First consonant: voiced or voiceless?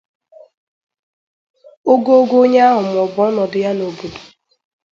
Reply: voiced